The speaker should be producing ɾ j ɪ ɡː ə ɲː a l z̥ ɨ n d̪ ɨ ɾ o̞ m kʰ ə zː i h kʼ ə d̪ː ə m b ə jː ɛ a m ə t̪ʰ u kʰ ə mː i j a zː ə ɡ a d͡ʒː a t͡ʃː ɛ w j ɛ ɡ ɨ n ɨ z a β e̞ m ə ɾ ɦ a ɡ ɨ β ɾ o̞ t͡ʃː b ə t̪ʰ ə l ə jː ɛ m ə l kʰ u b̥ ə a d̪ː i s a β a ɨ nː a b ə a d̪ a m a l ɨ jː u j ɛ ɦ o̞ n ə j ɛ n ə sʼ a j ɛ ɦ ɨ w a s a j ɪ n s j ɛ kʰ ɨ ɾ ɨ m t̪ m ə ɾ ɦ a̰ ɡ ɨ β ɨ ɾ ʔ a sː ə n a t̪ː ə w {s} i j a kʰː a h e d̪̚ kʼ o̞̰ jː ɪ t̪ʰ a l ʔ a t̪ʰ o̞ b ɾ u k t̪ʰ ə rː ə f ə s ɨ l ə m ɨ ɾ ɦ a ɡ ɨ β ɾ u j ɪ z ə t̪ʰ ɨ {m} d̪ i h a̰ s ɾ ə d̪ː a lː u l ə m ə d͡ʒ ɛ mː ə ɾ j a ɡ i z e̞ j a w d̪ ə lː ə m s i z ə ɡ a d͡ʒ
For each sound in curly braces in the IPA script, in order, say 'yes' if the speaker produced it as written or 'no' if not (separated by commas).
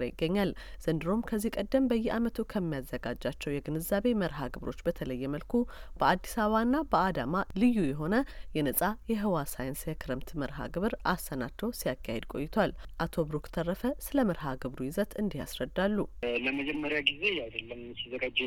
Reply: yes, no